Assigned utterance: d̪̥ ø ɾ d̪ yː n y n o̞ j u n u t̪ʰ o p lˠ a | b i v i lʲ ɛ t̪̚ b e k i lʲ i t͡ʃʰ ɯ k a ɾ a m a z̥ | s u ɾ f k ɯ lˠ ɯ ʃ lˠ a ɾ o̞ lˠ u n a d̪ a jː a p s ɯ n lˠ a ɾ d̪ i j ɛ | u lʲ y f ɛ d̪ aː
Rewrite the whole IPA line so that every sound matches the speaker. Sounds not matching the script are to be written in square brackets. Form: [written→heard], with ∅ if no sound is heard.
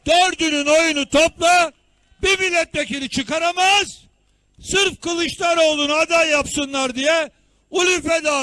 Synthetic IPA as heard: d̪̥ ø ɾ d̪ [yː→y] n y n o̞ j u n u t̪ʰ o p lˠ a | b i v i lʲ ɛ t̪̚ b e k i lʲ i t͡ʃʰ ɯ k a ɾ a m a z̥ | s [u→ɯ] ɾ f k ɯ lˠ ɯ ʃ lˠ a ɾ o̞ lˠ u n a d̪ a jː a p s ɯ n lˠ a ɾ d̪ i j ɛ | u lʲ y f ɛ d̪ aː

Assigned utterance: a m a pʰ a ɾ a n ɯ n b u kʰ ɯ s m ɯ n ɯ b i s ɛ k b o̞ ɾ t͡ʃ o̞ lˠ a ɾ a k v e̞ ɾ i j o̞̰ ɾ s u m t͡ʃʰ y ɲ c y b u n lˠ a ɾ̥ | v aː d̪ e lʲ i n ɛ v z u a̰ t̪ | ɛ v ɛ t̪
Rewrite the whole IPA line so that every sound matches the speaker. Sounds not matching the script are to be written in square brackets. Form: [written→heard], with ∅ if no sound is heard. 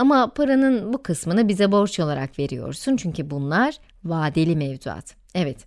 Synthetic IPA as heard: a m a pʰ a ɾ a n ɯ n b u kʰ ɯ s m ɯ n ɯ b i [s→z] ɛ [k→∅] b o̞ ɾ t͡ʃ o̞ lˠ a ɾ a k v e̞ ɾ i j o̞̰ ɾ s u [m→n] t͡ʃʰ y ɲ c y b u n lˠ a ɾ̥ | v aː d̪ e lʲ i [n→m] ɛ v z u a̰ t̪ | ɛ v ɛ t̪

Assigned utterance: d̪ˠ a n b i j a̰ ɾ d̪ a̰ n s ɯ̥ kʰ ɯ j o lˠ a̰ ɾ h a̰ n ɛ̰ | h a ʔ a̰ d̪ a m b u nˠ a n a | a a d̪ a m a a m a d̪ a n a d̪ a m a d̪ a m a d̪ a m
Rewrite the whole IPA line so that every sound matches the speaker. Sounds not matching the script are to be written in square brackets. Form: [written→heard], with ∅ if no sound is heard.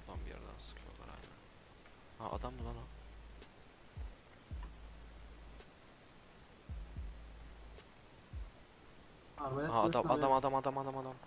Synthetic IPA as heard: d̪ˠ a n b i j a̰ ɾ d̪ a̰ n s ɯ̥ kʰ ɯ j o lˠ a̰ ɾ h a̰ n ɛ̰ | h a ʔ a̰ d̪ a m b u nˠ a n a | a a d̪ a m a a m a d̪ a [n→m] a d̪ a m a d̪ a m a d̪ a m

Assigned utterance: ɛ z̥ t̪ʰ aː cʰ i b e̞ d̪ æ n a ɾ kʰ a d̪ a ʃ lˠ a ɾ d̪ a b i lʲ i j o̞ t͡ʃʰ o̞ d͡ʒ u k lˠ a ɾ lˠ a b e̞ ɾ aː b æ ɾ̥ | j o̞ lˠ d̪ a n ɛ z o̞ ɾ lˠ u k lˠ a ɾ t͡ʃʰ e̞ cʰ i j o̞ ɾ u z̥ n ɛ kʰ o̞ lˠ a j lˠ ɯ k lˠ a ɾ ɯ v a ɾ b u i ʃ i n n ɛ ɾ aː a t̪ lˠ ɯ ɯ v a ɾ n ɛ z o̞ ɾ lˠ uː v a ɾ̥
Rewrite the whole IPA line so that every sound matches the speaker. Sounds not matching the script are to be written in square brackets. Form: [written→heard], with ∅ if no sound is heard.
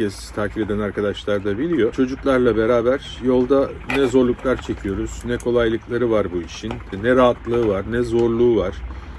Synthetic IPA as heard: ɛ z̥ t̪ʰ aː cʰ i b e̞ d̪ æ n a ɾ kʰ a d̪ a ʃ lˠ a ɾ d̪ a b i lʲ i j o̞ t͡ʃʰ o̞ d͡ʒ u k lˠ a ɾ lˠ a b e̞ ɾ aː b æ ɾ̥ | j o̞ lˠ d̪ a n ɛ z o̞ ɾ lˠ u k lˠ a ɾ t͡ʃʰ e̞ cʰ i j o̞ ɾ u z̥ n ɛ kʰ o̞ lˠ a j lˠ ɯ k lˠ a ɾ ɯ v a ɾ b u i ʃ i n n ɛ ɾ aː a t̪ lˠ ɯ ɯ v a ɾ n ɛ z o̞ ɾ lˠ uː v a ɾ̥

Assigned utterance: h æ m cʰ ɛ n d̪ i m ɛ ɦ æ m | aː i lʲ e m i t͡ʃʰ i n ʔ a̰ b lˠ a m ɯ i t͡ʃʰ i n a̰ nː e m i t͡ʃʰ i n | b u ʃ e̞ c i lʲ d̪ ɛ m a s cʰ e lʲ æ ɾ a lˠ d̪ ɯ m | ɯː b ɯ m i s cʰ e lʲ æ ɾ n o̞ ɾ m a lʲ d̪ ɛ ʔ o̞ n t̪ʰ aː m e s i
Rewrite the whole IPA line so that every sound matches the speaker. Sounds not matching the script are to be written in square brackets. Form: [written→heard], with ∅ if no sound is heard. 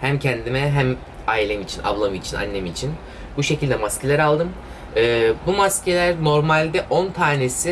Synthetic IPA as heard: h æ m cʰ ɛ n d̪ i m ɛ ɦ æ m | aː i lʲ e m i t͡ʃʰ i n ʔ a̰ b lˠ a m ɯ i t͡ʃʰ i n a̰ nː e m i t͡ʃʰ i n | b u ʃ e̞ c i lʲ d̪ ɛ m a s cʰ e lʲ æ ɾ a lˠ d̪ ɯ m | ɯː b [ɯ→u] m [i→a] s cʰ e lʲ æ ɾ n o̞ ɾ m a lʲ d̪ ɛ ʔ o̞ n t̪ʰ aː [m→n] e s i

